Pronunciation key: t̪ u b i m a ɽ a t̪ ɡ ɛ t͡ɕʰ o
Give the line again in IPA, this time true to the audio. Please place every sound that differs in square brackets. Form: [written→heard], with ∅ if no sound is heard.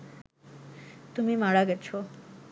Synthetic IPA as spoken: t̪ u [b→m] i m a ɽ a [t̪→∅] ɡ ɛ t͡ɕʰ o